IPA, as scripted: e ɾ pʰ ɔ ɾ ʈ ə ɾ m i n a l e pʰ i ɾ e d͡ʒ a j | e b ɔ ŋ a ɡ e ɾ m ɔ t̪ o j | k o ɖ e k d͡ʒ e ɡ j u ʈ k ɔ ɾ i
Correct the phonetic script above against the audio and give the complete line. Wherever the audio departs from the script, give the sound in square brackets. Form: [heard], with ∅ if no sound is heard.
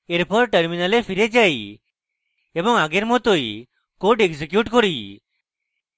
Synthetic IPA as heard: e ɾ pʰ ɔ ɾ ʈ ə ɾ m i n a l e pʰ i ɾ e d͡ʒ a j | e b ɔ ŋ a ɡ e ɾ m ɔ t̪ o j | k o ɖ e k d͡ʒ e [k] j u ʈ k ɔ ɾ i

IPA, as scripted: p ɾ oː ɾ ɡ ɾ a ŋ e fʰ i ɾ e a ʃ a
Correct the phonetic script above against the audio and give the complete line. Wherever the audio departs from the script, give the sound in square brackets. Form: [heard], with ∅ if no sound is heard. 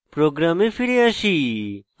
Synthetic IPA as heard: p ɾ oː [∅] ɡ ɾ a [m] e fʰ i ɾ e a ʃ [i]

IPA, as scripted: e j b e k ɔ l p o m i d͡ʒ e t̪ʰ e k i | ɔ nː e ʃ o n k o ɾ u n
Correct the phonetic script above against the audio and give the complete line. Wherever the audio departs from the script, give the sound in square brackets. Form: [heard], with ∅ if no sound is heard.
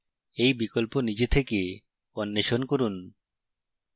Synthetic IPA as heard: e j b [i] k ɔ l p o [n] i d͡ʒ e t̪ʰ e k [e] | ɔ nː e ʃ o n k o ɾ u n

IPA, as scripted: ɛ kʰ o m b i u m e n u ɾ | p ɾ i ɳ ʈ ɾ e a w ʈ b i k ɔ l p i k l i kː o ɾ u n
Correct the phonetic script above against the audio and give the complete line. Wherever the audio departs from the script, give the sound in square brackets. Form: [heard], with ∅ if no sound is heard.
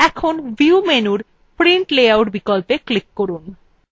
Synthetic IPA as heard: ɛ kʰ o [n] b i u m e n u ɾ | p ɾ i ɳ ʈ [l] e a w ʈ b i k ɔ l p [e] k l i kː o ɾ u n

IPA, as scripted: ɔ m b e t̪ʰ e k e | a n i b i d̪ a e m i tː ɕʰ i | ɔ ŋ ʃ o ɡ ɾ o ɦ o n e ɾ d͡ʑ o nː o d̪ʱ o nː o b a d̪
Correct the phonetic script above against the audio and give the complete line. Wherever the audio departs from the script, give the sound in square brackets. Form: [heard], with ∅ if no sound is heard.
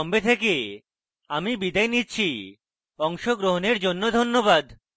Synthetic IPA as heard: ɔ m b e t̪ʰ e k e | a [m] i b i d̪ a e [n] i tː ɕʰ i | ɔ ŋ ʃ o ɡ ɾ o ɦ o n e ɾ d͡ʑ o nː o d̪ʱ o nː o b a d̪

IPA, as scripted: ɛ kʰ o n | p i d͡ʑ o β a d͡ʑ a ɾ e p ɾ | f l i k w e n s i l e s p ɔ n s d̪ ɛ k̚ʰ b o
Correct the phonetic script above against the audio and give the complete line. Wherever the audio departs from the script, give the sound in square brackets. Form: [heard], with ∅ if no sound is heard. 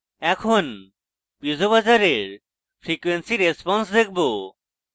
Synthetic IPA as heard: ɛ kʰ o n | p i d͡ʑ o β a d͡ʑ a ɾ e [∅] ɾ | f [ɾ] i k w e n s i [ɾ] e s p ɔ n s d̪ [e] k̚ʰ b o

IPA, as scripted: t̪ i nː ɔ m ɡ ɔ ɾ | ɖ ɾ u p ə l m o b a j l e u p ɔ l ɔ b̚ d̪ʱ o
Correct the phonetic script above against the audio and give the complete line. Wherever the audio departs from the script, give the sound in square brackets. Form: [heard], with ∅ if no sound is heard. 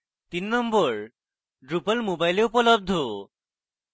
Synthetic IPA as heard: t̪ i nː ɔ m [b] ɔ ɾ | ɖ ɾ u p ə l m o b a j l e u p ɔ l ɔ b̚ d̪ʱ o

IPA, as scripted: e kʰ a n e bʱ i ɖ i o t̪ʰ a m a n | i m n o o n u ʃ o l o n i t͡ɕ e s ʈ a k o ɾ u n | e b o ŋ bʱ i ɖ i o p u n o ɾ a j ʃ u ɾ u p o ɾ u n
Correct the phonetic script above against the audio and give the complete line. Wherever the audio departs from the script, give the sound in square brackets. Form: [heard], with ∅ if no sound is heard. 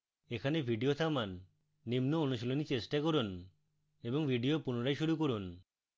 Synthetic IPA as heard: e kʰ a n e bʱ i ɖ i o t̪ʰ a m a [nː] | i m n o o n u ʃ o l o n i t͡ɕ e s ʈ a k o ɾ u n | e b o ŋ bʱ i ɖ i o p u n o ɾ a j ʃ u ɾ u [k] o ɾ u n

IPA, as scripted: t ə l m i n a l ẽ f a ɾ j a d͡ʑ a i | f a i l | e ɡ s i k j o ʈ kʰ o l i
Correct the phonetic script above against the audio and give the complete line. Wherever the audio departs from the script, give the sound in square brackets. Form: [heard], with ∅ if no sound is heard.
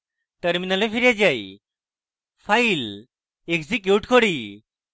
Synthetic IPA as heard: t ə [ɾ] m i n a l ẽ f [i] ɾ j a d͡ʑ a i | f a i l | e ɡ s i k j [u] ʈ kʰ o [ɽ] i

